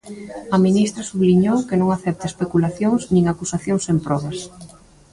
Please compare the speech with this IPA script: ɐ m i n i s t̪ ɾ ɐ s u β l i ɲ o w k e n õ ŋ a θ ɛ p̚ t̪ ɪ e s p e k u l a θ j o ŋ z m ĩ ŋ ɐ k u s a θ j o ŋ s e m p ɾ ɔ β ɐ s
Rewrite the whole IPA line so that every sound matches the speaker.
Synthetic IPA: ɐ m i n i s t̪ ɾ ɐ s u β l i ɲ o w k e n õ ŋ a θ ɛ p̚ t̪ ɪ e s p e k u l a θ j o ŋ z n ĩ ŋ a k u s a θ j o ŋ s e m p ɾ ɔ β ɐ s